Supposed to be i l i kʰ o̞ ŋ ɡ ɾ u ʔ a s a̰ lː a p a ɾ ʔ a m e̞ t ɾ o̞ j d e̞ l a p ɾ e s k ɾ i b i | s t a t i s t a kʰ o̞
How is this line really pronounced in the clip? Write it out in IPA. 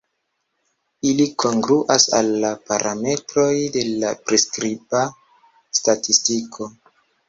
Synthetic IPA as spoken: i l i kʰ o̞ ŋ ɡ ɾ u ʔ a s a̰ lː a p a ɾ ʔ a m e̞ t ɾ o̞ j d e̞ l a p ɾ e s k ɾ i b a | s t a t i s t i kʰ o̞